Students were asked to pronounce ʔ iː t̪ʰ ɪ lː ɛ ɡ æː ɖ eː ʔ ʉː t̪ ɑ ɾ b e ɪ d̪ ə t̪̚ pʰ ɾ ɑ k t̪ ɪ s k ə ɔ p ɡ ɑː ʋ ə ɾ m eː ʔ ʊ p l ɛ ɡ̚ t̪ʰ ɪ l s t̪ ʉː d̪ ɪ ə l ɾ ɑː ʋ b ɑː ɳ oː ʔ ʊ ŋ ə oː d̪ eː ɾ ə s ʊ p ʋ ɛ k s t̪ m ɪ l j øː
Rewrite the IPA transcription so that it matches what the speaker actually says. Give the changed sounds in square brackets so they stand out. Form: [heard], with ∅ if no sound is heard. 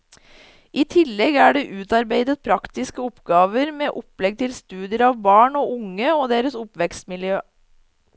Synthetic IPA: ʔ iː t̪ʰ ɪ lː ɛ ɡ æː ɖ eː ʔ ʉː t̪ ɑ ɾ b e ɪ d̪ ə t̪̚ pʰ ɾ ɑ k t̪ ɪ s k ə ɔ p ɡ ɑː ʋ ə ɾ m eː ʔ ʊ p l ɛ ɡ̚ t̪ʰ ɪ l s t̪ ʉː d̪ ɪ ə [∅] ɾ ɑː ʋ b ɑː ɳ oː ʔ ʊ ŋ ə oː d̪ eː ɾ ə s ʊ p ʋ ɛ k s t̪ m ɪ l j øː